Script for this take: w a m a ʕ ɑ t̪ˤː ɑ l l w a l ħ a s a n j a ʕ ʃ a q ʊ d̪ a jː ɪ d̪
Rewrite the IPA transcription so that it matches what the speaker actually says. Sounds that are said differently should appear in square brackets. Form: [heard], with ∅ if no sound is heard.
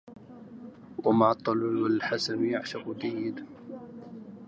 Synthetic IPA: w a m a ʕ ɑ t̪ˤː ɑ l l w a l ħ a s a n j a ʕ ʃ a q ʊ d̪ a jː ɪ d̪